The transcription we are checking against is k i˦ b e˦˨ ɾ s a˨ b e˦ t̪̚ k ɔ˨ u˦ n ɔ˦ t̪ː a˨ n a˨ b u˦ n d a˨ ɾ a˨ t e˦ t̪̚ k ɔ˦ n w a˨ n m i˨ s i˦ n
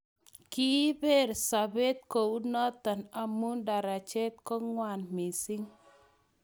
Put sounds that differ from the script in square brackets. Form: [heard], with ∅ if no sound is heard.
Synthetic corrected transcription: k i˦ b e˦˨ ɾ s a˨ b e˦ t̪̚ k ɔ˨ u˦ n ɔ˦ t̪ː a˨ n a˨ [m] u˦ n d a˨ ɾ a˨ [t͡ʃ] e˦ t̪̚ k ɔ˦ [ŋ] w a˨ n m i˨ s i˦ [ŋ]